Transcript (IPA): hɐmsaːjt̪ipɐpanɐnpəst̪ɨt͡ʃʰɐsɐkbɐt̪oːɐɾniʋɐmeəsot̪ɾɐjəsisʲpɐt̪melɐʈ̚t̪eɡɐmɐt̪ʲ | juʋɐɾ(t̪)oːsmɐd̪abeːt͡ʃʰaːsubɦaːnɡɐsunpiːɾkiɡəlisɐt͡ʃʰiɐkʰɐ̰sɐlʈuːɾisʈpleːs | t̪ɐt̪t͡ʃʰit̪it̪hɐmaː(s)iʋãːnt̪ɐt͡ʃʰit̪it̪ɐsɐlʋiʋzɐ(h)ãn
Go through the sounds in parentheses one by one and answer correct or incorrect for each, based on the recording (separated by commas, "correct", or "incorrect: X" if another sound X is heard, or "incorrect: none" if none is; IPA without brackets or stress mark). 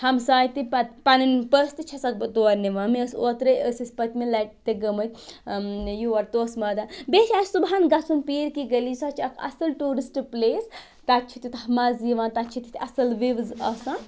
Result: correct, incorrect: z, incorrect: s